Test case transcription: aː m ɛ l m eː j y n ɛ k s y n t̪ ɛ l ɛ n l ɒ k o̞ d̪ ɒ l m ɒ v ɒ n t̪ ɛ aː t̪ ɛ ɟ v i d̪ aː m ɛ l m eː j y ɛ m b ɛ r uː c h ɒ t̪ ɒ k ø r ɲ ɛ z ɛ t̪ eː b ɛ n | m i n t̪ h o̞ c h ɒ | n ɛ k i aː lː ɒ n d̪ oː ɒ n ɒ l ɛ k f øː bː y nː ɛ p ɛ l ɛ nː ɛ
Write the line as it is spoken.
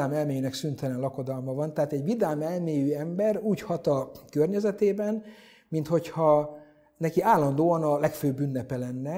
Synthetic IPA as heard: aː m ɛ l m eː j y n ɛ k s y n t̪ ɛ l ɛ n l ɒ k o̞ d̪ ɒ l m ɒ v ɒ n t̪ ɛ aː t̪ ɛ ɟ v i d̪ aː m ɛ l m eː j y ɛ m b ɛ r uː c h ɒ t̪ ɒ k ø r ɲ ɛ z ɛ t̪ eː b ɛ n | m i n t̪ h o̞ c h ɒ | n ɛ k i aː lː ɒ n d̪ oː ɒ n ɒ l ɛ k f øː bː y nː ɛ p ɛ l ɛ nː ɛ